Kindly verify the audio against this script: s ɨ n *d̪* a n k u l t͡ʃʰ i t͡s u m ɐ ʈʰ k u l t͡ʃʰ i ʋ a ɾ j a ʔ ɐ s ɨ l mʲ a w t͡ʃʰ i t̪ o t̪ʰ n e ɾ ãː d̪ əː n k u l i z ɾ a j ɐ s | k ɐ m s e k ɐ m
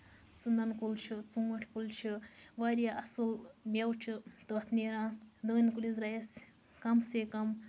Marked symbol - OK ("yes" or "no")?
yes